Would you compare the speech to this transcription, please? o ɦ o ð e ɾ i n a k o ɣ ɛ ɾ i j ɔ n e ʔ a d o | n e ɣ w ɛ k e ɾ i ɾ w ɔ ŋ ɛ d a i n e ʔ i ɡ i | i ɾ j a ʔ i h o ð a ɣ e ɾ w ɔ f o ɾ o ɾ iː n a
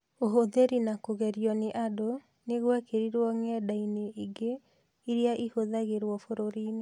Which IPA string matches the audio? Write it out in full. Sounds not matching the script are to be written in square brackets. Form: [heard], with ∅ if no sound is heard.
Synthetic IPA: o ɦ o ð e ɾ i n a k o ɣ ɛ ɾ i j ɔ n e ʔ a d o | n e ɣ w ɛ k e ɾ i ɾ w ɔ ŋ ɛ d a i n e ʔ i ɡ [e] | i ɾ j a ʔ i h o ð a ɣ e ɾ w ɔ f o ɾ o ɾ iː n [e]